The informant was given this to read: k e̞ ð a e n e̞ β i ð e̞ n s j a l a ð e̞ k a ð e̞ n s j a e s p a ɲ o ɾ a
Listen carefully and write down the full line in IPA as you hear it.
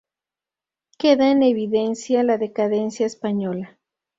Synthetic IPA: k e̞ ð a e n e̞ β i ð e̞ n s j a l a ð e̞ k a ð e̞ n s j a e s p a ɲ o l a

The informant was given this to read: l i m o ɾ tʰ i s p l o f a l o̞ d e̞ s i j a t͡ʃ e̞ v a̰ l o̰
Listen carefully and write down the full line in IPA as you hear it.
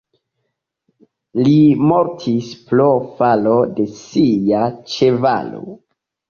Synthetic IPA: l i m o ɾ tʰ i s p l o f a l o̞ d e̞ s i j a t͡ʃ e̞ v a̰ l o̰

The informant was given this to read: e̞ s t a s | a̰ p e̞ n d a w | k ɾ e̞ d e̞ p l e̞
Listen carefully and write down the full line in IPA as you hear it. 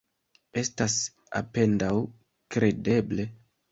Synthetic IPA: e̞ s t a s | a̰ p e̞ n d a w | k ɾ e̞ d e̞ b l e̞

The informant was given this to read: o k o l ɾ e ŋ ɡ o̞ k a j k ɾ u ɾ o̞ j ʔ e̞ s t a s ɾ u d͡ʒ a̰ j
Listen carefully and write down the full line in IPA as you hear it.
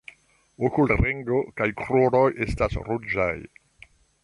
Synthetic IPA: o k u l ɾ e ŋ ɡ o̞ k a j k ɾ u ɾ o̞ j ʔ e̞ s t a s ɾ u d͡ʒ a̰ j

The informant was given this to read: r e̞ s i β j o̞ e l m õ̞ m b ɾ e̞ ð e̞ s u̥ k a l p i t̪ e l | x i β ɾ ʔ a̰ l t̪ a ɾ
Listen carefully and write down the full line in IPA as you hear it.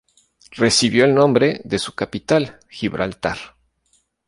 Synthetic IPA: r e̞ s i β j o̞ e l n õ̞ m b ɾ e̞ ð e̞ s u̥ k a p i t̪ a l | x i β ɾ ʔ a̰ l t̪ a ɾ

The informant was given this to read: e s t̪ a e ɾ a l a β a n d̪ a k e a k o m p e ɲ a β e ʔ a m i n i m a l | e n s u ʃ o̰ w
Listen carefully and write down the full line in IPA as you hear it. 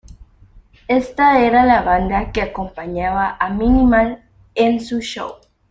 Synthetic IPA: e s t̪ a e ɾ a l a β a n d̪ a k e a k o m p a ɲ a β a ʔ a m i n i m a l | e n s u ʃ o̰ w

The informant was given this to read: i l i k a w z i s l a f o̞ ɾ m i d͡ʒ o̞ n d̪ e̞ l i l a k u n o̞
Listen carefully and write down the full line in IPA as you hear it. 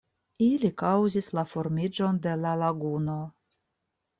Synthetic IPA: i l i k a w z i s l a f o̞ ɾ m i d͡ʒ o̞ n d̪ e̞ l a l a ɡ u n o̞

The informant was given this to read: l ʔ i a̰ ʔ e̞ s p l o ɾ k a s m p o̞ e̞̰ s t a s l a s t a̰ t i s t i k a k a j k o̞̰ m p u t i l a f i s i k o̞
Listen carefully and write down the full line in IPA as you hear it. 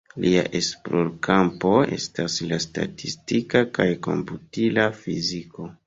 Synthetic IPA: l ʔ i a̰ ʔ e̞ s p l o ɾ k a m p o̞ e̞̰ s t a s l a s t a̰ t i s t i k a k a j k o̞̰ m p u t i l a f i z i k o̞

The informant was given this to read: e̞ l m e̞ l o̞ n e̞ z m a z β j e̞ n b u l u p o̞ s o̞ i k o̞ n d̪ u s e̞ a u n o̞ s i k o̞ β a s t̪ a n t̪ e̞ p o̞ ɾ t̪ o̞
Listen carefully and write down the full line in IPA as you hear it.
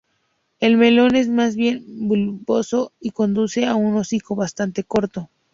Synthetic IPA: e̞ l m e̞ l o̞ n e̞ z m a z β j e̞ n b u l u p o̞ s o̞ i k o̞ n d̪ u s e̞ a u n o̞ s i k o̞ β a s t̪ a n t̪ e̞ k o̞ ɾ t̪ o̞

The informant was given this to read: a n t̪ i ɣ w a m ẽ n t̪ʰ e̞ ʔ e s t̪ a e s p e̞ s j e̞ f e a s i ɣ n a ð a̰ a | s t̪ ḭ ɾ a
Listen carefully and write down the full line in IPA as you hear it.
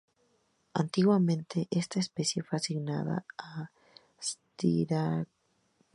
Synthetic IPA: a n t̪ i ɣ w a m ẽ n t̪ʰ e̞ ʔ e s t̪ a e s p e̞ s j e̞ f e a s i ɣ n a ð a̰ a | s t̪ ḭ ɾ a

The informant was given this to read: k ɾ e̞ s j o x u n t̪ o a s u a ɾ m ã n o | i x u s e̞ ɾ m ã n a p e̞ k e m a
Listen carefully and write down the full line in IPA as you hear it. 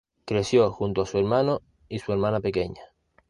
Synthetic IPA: k ɾ e̞ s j o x u n t̪ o a s u e ɾ m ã n o | i s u e̞ ɾ m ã n a p e̞ k e ɲ a

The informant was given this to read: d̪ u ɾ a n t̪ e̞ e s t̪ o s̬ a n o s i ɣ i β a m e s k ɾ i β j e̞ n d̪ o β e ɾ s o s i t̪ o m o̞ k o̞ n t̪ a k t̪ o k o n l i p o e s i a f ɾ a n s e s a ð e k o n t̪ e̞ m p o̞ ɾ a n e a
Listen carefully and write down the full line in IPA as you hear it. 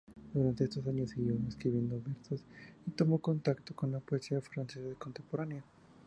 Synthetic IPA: d̪ u ɾ a n t̪ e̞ e s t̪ o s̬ a ɲ o s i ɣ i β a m e s k ɾ i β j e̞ n d̪ o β e ɾ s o s i t̪ o m o̞ k o̞ n t̪ a k t̪ o k o n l a p o e s i a f ɾ a n s e s a ð e k o n t̪ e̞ m p o̞ ɾ a n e a

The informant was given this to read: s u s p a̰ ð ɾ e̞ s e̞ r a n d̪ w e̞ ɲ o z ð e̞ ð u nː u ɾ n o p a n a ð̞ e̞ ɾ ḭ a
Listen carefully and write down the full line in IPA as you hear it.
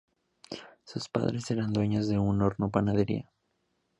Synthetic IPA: s u s p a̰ ð ɾ e̞ s e̞ ɾ a n d̪ w e̞ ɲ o z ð e̞ u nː o ɾ n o p a n a ð̞ e̞ ɾ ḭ a

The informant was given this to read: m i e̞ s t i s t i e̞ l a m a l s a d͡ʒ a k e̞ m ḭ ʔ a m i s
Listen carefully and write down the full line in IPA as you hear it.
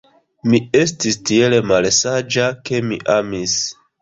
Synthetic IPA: m i e̞ s t i s t i e̞ l e m a l s a d͡ʒ a k e̞ m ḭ ʔ a m i s

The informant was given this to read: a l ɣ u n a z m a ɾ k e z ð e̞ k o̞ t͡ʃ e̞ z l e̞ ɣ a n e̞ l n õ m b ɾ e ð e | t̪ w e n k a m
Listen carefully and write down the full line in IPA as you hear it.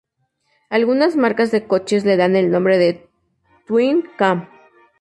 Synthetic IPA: a l ɣ u n a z m a ɾ k a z ð e̞ k o̞ t͡ʃ e̞ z l e̞ ð a n e̞ l n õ m b ɾ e ð e | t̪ w i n k a m

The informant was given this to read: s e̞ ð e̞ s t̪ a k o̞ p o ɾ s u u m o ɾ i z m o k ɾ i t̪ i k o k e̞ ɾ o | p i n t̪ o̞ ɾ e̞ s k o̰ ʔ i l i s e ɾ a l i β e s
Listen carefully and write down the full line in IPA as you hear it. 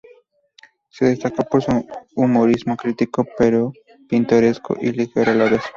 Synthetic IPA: s e̞ ð e̞ s t̪ a k o̞ p o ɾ s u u m o ɾ i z m o k ɾ i t̪ i k o p e̞ ɾ o | p i n t̪ o̞ ɾ e̞ s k o̰ ʔ i l i x e ɾ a l a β e s

